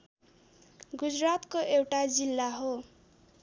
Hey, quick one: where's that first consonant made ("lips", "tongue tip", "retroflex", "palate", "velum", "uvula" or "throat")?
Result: velum